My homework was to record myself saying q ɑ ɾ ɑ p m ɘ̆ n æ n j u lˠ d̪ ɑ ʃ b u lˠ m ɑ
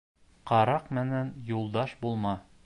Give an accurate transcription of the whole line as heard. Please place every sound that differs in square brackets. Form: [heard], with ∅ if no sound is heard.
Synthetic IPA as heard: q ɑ ɾ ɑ [q] m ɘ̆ n æ n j u lˠ d̪ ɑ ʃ b u lˠ m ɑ